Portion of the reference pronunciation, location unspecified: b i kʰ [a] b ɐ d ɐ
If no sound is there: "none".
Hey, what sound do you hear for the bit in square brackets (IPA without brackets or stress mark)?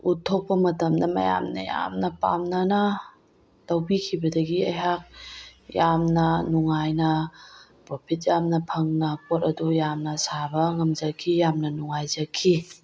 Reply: i